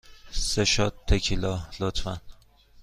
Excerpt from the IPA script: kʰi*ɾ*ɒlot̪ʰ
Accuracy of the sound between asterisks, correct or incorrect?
incorrect